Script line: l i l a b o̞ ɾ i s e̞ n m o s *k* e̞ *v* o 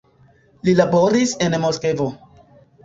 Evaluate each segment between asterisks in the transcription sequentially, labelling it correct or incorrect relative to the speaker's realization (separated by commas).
correct, correct